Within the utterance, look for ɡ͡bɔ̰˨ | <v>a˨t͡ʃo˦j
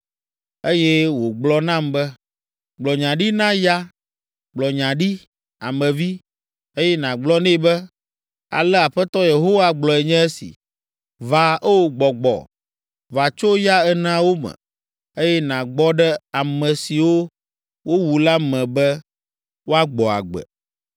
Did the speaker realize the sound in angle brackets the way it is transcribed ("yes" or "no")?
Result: yes